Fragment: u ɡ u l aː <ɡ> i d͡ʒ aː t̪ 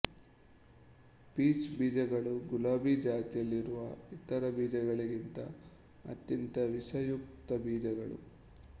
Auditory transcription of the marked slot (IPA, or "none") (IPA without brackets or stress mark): b